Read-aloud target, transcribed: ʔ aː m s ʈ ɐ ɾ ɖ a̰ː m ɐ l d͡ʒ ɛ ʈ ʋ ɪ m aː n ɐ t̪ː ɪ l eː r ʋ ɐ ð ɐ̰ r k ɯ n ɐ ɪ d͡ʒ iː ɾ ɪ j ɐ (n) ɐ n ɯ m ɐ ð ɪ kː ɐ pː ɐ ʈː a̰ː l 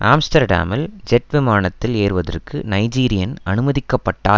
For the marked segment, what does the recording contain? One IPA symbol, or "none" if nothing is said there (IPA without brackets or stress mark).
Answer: n